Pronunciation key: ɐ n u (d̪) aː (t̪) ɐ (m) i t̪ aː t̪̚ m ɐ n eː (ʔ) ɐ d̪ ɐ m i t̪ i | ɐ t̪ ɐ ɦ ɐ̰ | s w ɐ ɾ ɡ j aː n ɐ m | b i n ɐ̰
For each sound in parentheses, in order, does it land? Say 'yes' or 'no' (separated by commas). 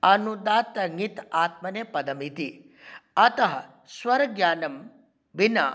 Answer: yes, yes, no, no